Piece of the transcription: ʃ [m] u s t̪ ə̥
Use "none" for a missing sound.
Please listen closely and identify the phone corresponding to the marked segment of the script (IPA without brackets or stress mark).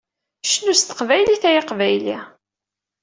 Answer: n